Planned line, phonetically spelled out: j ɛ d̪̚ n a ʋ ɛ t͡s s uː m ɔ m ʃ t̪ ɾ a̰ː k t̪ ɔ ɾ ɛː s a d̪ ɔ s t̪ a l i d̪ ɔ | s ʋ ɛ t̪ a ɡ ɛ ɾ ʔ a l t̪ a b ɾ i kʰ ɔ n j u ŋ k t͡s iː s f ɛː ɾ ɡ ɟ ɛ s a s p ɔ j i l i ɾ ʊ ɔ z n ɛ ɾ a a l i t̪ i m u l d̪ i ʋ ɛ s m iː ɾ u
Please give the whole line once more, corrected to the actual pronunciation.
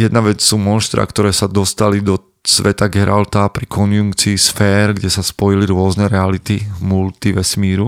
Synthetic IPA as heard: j ɛ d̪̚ n a ʋ ɛ t͡s s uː m ɔ n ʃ t̪ ɾ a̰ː k t̪ ɔ ɾ ɛː s a d̪ ɔ s t̪ a l i d̪ ɔ | s ʋ ɛ t̪ a ɡ ɛ ɾ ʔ a l t̪ a p ɾ i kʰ ɔ n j u ŋ k t͡s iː s f ɛː ɾ ɡ ɟ ɛ s a s p ɔ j i l i ɾ ʊ ɔ z n ɛ ɾ ɛ a l i t̪ i m u l t̪ i ʋ ɛ s m iː ɾ u